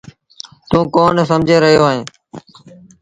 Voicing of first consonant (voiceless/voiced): voiceless